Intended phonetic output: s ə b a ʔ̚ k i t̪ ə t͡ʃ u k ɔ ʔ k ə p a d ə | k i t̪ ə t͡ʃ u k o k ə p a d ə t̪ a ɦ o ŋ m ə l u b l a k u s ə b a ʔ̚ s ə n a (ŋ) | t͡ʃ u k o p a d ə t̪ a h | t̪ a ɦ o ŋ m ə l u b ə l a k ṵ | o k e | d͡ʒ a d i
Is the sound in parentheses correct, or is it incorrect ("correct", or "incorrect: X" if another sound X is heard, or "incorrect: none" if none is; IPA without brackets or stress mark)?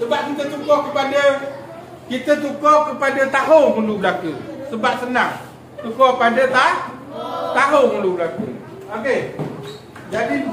correct